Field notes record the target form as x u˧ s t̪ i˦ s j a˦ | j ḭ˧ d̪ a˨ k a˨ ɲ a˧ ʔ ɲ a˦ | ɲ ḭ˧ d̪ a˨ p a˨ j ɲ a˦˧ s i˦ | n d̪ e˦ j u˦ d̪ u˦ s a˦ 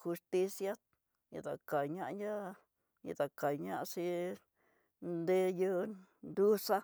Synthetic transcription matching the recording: x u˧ s t̪ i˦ s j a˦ | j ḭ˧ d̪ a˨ k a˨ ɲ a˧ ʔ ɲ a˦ | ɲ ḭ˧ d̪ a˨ k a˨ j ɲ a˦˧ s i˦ | n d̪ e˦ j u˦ d̪ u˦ s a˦

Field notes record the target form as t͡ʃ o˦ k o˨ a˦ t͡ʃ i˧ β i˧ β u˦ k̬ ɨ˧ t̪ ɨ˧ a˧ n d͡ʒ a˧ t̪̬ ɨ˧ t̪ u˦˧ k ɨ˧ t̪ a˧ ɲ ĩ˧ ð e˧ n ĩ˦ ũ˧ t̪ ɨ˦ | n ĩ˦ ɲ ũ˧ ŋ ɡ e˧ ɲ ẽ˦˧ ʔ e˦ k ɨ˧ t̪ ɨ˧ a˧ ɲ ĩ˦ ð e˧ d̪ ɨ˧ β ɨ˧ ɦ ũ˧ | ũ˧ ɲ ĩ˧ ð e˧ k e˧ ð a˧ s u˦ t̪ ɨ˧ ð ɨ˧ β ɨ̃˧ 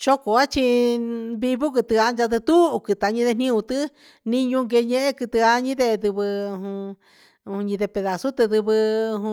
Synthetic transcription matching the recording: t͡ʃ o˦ k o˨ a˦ t͡ʃ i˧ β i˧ β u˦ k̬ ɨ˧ t̪ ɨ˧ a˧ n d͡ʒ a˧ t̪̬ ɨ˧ t̪ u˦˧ k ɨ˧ t̪ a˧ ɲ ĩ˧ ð e˧ n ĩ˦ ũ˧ t̪ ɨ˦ | n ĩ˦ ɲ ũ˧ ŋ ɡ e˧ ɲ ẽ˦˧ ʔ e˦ k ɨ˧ t̪ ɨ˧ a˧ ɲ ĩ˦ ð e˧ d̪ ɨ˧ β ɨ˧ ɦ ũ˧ | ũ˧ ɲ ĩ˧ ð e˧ p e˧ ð a˧ s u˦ t̪ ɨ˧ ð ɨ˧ β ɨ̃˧

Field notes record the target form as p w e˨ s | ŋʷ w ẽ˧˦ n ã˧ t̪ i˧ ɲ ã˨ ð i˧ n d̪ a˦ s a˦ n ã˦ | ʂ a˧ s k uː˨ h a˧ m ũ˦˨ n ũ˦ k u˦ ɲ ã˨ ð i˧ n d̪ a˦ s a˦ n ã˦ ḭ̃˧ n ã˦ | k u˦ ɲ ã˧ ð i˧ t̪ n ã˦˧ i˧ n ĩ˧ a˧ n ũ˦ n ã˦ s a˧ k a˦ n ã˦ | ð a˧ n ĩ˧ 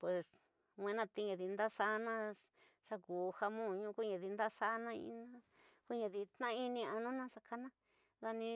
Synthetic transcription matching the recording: p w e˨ s | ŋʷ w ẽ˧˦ n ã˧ t̪ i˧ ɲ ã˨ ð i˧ n d̪ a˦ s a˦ n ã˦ | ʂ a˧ k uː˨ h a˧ m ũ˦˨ ɲ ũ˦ k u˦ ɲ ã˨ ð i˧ n d̪ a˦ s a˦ n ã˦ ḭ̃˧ n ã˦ | k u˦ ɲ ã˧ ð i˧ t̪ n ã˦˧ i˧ n ĩ˧ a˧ n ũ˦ n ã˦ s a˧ k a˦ n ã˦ | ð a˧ n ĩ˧

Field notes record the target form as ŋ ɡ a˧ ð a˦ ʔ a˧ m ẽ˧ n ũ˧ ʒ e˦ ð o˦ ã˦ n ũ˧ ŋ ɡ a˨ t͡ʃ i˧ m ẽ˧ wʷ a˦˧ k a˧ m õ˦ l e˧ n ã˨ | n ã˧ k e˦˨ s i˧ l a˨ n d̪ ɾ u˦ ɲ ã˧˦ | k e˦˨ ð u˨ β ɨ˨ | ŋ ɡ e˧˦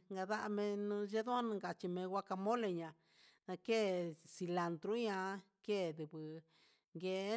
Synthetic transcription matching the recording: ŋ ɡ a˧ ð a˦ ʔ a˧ m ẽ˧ n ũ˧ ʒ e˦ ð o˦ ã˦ n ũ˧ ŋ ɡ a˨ t͡ʃ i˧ m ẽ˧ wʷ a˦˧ k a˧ m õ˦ l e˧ ɲ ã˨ | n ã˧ k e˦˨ s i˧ l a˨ n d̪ ɾ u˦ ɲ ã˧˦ | k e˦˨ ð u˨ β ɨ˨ | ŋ ɡ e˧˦

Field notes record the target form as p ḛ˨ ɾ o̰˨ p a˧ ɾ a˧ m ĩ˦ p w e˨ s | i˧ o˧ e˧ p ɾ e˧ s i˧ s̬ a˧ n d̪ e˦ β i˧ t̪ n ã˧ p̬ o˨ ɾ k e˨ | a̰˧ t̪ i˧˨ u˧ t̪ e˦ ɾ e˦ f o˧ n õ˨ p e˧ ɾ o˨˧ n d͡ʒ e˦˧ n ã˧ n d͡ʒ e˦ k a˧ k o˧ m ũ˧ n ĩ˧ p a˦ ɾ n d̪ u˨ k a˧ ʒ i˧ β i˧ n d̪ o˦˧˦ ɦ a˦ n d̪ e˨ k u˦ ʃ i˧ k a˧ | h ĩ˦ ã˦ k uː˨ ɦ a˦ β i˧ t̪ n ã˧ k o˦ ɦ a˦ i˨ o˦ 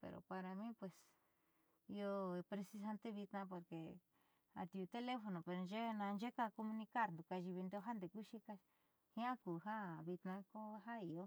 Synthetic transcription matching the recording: p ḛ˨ ɾ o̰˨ p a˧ ɾ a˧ m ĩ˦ p w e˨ s | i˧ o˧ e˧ p ɾ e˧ s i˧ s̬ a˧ n t̪ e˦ β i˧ t̪ n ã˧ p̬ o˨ ɾ k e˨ | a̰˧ t̪ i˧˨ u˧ t̪ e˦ l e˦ f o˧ n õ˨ p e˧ ɾ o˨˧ n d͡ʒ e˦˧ n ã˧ n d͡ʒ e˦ k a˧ k o˧ m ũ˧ n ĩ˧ k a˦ ɾ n d̪ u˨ k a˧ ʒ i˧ β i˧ n d̪ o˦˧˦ ɦ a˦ n d̪ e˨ k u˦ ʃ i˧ k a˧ | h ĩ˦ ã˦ k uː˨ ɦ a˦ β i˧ t̪ n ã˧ k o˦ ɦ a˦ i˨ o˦

